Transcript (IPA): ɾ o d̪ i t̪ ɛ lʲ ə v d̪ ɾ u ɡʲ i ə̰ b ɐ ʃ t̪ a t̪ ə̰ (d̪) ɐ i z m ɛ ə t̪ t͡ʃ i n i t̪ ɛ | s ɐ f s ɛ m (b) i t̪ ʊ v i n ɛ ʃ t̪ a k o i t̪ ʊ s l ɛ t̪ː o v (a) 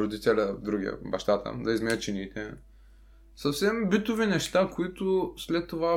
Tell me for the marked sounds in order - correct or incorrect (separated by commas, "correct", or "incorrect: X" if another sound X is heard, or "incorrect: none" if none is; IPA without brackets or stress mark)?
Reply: correct, correct, correct